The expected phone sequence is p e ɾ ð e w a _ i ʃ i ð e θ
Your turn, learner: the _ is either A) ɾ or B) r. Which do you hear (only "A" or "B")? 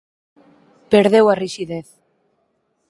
B